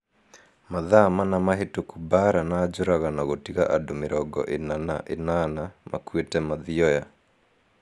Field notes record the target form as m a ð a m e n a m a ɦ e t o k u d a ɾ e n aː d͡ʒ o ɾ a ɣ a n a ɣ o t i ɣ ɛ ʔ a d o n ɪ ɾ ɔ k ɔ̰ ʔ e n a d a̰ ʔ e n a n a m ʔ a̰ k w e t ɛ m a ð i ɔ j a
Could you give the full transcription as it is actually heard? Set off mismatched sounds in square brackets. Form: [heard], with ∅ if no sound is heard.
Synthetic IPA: m a ð a m [a] n a m a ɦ e t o k u [b] a ɾ [a] n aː d͡ʒ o ɾ a ɣ a n a ɣ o t i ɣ [a] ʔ a d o [m] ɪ ɾ ɔ [ɡ] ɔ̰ ʔ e n a [n] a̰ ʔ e n a n a m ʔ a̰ k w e t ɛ m a ð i ɔ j a